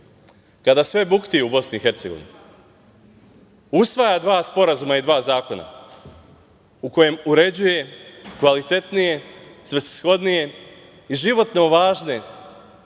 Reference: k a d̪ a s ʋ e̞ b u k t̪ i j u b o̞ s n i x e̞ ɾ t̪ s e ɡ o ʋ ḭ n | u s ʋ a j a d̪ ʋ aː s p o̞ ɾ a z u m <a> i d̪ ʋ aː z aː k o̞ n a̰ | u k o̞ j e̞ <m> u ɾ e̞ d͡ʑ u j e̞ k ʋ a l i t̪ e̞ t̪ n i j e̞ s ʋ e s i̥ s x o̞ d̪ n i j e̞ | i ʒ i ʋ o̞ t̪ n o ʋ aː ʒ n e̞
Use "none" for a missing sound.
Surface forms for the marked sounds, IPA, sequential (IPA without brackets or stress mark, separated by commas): a, m